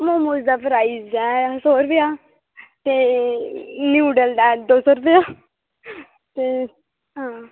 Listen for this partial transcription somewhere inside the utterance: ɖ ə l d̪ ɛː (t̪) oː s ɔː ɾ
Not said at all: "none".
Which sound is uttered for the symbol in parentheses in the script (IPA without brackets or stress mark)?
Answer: d̪